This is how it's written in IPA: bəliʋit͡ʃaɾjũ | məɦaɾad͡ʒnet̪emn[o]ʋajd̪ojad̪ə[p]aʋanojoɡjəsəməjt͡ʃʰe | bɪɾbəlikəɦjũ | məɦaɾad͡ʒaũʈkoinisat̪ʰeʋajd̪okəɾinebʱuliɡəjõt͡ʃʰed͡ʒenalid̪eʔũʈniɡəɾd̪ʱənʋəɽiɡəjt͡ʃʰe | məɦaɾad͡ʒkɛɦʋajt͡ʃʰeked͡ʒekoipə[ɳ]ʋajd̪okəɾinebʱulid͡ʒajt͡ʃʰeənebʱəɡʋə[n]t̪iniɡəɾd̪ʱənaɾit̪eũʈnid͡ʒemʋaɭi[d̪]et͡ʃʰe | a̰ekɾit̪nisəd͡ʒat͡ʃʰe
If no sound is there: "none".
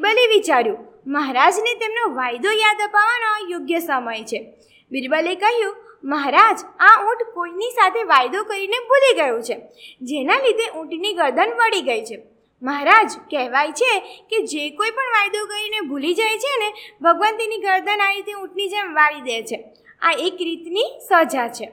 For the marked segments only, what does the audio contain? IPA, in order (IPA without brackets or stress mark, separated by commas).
o, p, ɳ, n, d̪